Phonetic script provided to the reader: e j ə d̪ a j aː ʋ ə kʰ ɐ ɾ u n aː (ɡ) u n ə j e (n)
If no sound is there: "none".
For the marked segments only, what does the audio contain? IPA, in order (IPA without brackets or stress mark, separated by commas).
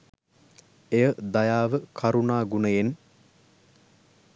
ɡ, n